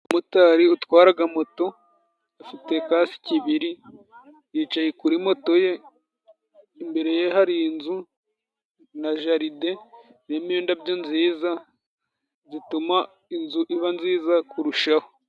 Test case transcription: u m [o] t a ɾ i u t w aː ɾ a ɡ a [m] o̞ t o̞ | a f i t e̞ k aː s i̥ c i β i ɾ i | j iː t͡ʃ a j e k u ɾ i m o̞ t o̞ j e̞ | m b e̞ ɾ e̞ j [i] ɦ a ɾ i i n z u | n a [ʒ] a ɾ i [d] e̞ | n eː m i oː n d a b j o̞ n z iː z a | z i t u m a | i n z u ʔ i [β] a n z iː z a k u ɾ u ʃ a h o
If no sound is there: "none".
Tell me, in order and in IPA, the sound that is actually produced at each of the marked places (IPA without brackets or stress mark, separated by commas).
u, m, e, ʒ, d, β